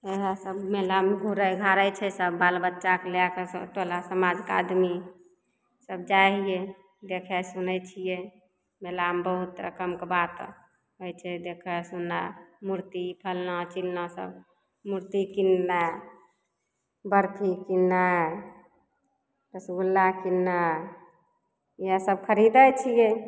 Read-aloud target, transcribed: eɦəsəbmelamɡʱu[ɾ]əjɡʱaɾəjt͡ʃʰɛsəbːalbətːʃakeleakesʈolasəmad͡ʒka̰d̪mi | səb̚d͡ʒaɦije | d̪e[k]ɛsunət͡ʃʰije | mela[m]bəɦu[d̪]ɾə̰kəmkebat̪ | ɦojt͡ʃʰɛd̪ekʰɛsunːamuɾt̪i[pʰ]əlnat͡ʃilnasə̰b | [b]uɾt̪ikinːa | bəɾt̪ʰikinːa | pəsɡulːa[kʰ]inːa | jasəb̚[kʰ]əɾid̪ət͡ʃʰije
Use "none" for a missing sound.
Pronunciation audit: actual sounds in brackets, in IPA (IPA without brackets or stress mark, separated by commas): ɾ, kʰ, m, t̪, pʰ, m, k, kʰ